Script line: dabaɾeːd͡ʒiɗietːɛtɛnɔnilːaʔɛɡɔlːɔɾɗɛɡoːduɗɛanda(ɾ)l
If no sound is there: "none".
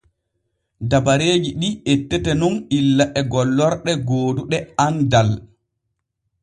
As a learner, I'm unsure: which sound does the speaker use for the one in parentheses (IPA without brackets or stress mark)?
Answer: none